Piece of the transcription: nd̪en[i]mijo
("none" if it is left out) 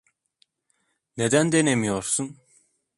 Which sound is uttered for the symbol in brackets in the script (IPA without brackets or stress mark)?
e